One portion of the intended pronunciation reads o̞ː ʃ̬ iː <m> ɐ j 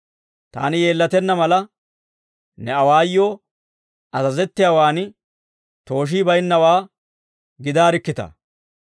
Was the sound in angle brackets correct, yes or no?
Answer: no